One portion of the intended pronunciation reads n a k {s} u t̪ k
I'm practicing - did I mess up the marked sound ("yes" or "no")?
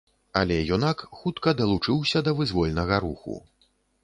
yes